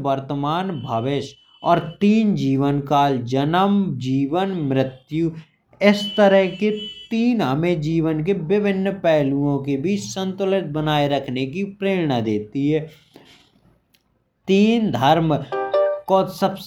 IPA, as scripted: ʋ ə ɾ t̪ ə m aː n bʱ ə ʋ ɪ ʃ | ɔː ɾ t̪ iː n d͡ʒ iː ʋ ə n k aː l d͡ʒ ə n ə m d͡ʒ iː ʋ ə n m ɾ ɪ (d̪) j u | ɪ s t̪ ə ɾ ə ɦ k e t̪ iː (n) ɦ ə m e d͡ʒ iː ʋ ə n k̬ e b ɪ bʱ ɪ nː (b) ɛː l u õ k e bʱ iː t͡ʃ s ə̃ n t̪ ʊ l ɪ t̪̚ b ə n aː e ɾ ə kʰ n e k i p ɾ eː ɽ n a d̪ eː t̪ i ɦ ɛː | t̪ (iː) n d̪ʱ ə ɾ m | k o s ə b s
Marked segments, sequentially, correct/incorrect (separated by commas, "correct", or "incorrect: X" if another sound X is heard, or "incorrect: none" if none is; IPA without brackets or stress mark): incorrect: t̪, correct, incorrect: p, correct